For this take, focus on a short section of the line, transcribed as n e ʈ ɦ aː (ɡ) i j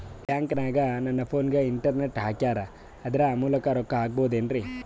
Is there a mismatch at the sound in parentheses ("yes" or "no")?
yes